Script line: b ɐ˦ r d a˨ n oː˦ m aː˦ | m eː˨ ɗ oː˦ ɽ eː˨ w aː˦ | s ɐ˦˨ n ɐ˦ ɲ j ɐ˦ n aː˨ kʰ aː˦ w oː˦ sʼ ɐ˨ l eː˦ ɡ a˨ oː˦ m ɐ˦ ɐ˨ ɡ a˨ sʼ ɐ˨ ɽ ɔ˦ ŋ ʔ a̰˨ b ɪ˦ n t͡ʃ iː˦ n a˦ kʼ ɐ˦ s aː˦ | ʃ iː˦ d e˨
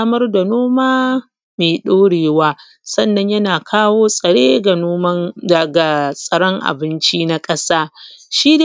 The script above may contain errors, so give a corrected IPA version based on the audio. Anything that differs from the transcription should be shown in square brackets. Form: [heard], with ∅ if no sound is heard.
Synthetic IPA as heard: [m] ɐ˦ r d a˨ n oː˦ m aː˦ | m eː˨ ɗ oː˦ ɽ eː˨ w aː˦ | s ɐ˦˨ [nː] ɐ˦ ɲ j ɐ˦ n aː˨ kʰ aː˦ w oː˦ sʼ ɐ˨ [ɽ] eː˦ ɡ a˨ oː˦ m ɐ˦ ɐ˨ ɡ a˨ sʼ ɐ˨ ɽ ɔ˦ ŋ ʔ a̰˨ b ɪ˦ n t͡ʃ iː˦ n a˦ kʼ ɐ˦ s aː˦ | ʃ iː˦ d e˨

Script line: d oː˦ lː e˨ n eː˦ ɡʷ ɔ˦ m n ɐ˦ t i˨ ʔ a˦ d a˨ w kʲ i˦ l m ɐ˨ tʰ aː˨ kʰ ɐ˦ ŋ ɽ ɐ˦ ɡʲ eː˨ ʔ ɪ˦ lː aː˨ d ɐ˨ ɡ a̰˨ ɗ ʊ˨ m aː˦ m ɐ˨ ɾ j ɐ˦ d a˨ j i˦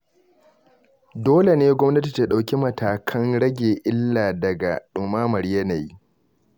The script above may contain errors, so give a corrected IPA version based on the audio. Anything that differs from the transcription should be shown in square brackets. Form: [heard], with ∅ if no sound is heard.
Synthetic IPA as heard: d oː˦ [l] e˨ n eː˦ ɡʷ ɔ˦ m n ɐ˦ t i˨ [t] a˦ [ɗ] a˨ w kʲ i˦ [∅] m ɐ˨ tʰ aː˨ kʰ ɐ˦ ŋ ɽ ɐ˦ ɡʲ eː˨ ʔ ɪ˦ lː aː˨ d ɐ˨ ɡ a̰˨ ɗ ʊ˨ m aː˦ m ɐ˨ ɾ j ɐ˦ [n] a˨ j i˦

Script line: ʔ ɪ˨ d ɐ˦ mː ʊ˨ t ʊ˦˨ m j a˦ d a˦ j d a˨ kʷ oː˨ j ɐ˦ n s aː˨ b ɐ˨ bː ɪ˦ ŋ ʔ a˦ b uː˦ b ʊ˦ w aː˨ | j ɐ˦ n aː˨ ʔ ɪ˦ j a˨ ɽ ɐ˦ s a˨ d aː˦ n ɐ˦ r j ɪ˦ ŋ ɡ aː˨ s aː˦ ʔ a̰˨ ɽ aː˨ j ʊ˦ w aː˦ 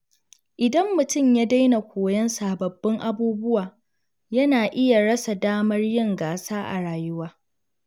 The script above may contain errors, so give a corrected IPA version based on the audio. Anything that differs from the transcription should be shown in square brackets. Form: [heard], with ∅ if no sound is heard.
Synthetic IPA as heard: ʔ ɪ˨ d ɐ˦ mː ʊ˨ t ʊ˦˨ m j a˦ d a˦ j [n] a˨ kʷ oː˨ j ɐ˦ n s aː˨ b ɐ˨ bː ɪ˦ ŋ ʔ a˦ b uː˦ b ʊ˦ w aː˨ | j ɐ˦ n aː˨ ʔ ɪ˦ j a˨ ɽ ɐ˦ s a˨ d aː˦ [m] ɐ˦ r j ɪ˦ ŋ ɡ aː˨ s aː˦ ʔ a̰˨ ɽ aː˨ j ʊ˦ w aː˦

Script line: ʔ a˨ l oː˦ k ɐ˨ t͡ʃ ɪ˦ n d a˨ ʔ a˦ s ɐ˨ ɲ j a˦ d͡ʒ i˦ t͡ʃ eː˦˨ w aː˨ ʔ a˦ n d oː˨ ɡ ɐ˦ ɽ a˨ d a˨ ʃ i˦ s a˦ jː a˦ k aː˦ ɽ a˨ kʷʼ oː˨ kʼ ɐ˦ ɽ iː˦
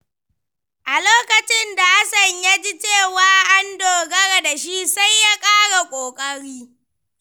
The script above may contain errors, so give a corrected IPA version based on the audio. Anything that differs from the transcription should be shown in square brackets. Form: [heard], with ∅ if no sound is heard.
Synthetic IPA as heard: ʔ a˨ l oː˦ k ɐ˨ t͡ʃ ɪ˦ n d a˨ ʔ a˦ s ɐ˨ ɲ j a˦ d͡ʒ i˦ t͡ʃ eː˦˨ w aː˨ ʔ a˦ n d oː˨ ɡ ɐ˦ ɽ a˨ d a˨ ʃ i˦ s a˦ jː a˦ [kʼ] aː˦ ɽ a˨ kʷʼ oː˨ kʼ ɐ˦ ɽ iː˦

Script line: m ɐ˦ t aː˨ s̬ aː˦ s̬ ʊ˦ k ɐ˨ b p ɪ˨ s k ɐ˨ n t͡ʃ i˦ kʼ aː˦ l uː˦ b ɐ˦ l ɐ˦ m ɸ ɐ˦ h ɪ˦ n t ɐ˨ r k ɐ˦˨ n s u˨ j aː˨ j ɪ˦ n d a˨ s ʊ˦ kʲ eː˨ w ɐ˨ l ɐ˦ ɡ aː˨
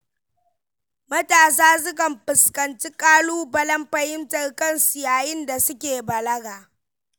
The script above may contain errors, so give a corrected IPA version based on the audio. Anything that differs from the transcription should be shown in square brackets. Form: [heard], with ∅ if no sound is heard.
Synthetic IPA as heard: m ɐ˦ t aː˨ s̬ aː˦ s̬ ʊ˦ k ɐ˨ [m] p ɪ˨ s k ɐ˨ n t͡ʃ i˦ kʼ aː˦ l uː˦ b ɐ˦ l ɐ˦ m ɸ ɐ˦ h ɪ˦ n t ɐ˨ r k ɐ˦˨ n s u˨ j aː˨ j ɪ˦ n d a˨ s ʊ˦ kʲ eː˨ [b] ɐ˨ l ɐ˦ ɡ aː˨

